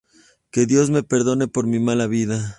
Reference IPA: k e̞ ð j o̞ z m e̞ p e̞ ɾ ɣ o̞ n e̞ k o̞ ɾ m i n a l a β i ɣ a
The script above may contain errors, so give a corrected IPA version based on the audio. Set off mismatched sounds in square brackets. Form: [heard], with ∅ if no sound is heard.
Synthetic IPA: k e̞ ð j o̞ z m e̞ p e̞ ɾ [ð] o̞ n e̞ [p] o̞ ɾ m i [m] a l a β i [ð] a